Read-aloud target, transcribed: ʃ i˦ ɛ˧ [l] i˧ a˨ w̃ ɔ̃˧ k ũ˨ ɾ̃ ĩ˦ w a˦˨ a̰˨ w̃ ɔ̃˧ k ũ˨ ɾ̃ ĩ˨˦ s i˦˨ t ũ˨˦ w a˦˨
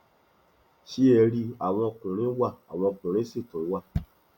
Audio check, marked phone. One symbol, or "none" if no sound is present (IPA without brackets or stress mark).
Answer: ɾ